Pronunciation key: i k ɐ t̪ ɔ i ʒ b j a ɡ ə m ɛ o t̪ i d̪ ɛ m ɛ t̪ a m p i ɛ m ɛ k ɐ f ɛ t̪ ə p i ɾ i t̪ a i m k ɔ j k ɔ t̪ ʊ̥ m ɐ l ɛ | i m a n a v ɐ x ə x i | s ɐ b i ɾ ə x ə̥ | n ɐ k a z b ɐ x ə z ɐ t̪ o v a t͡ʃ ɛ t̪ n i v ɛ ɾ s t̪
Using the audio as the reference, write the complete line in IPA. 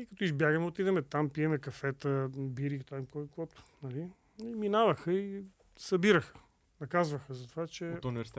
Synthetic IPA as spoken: i k ɐ t̪ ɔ i z b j a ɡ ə m ɛ o t̪ i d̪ ɛ m ɛ t̪ a m p i ɛ m ɛ k ɐ f ɛ t̪ ə b i ɾ i t̪ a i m k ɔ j k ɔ t̪ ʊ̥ n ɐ l i | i m i n a v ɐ x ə i | s ɐ b i ɾ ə x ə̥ | n ɐ k a z v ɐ x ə z ɐ t̪ o v a t͡ʃ ɛ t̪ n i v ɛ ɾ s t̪